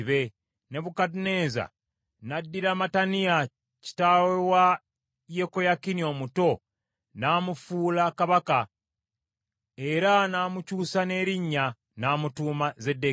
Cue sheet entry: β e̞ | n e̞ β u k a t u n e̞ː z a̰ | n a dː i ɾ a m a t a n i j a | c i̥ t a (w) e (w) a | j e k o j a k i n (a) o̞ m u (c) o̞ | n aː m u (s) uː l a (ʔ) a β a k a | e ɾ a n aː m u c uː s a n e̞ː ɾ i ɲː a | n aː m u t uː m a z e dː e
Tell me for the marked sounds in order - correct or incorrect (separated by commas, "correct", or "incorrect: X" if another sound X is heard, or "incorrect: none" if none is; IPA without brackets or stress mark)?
correct, correct, incorrect: i, incorrect: t, incorrect: f, incorrect: k